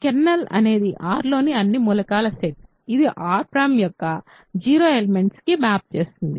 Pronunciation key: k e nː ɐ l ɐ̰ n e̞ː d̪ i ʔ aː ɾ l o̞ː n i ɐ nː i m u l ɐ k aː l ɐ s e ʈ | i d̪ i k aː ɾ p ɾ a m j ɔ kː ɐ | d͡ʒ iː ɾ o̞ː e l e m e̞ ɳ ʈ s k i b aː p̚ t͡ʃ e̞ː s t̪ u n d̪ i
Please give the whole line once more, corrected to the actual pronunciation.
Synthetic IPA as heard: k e nː ɐ l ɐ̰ n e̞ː d̪ i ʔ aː ɾ l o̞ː n i ɐ nː i m u l ɐ k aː l ɐ s e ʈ | i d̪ i ʔ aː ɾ p ɾ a m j ɔ kː ɐ | d͡ʒ iː ɾ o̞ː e l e m e̞ ɳ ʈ s k i m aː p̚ t͡ʃ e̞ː s t̪ u n d̪ i